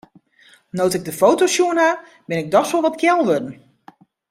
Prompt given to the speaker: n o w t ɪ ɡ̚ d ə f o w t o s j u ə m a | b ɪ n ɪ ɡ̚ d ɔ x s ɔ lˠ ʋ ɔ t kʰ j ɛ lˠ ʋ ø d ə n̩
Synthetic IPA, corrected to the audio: n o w t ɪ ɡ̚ d ə f o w t o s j u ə n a | b ɪ n ɪ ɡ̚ d ɔ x s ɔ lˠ ʋ ɔ t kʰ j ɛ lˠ ʋ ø d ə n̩